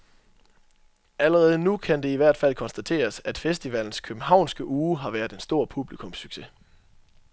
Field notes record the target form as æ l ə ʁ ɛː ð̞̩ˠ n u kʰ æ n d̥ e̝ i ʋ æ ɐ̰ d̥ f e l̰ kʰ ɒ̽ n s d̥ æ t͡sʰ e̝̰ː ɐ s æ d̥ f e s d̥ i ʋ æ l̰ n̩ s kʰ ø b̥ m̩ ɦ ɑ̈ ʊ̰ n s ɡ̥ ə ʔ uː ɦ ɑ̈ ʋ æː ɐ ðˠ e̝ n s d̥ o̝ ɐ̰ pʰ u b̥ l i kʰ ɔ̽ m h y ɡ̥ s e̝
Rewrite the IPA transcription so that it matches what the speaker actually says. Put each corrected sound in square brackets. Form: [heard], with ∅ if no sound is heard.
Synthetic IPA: æ l ə ʁ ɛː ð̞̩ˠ n u kʰ æ n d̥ e̝ i ʋ æ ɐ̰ d̥ f [æ] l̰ kʰ ɒ̽ n s d̥ æ t͡sʰ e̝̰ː ɐ s æ d̥ f e s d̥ i ʋ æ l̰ n̩ s kʰ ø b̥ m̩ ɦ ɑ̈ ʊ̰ n s ɡ̥ ə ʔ uː ɦ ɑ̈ ʋ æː ɐ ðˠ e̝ n s d̥ o̝ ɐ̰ pʰ u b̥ l i kʰ ɔ̽ m [s] y ɡ̥ s e̝